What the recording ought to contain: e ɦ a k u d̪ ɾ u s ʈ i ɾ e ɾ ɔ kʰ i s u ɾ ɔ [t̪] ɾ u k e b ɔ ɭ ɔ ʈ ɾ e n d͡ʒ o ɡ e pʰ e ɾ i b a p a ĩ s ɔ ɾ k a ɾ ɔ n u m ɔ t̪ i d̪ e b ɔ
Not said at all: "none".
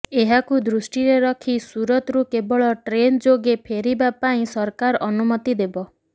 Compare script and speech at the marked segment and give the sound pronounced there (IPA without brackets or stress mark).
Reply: t̪